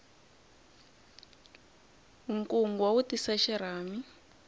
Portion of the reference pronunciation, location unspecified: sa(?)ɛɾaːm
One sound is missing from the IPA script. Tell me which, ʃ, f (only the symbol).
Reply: ʃ